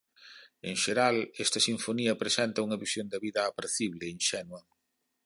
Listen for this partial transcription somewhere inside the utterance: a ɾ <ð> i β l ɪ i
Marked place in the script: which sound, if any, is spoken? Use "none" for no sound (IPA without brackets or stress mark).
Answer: θ